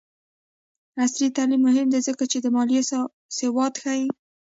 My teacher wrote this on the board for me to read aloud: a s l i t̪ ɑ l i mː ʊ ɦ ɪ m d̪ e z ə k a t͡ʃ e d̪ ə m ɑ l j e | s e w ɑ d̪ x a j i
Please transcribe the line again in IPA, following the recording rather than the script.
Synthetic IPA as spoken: a s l i t̪ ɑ l i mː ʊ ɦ ɪ m d̪ e z ə k a t͡ʃ e d̪ ə m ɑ l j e | s e w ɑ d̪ x a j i